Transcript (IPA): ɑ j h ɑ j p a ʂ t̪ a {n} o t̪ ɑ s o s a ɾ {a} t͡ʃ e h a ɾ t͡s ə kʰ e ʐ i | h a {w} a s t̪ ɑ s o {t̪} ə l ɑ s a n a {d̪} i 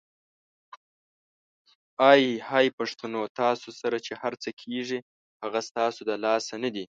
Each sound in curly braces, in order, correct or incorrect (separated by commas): correct, correct, incorrect, incorrect, correct